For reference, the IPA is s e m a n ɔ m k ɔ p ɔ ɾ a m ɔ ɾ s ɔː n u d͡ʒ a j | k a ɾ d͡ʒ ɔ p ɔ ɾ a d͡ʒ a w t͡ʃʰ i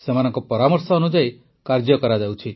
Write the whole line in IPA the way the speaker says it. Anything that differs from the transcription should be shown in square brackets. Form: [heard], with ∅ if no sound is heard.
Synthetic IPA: s e m a n ɔ [ŋ] k ɔ p ɔ ɾ a m ɔ ɾ s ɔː n u d͡ʒ a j | k a ɾ d͡ʒ ɔ [k] ɔ ɾ a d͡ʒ a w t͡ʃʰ i